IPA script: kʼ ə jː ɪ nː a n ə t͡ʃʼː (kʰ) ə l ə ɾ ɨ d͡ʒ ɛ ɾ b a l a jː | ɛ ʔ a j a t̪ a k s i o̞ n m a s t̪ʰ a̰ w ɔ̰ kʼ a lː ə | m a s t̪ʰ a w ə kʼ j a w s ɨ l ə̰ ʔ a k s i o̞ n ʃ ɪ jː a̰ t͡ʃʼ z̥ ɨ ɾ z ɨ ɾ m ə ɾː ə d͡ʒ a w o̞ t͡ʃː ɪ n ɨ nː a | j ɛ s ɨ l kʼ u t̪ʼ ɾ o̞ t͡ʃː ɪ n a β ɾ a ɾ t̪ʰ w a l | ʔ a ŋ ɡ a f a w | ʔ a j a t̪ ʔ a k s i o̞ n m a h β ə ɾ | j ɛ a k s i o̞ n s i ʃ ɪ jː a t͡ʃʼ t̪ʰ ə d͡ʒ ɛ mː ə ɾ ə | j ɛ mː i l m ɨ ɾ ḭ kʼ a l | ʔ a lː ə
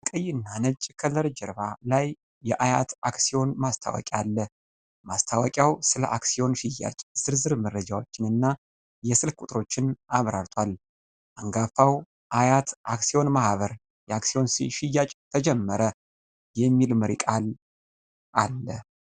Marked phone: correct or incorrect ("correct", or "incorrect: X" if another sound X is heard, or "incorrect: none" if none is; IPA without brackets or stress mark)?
correct